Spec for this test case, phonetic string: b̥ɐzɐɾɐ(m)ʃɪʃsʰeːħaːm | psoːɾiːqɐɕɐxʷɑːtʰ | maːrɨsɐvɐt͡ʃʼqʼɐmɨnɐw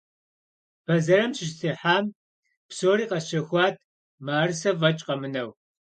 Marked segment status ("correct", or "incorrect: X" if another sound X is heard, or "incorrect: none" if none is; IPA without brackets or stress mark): correct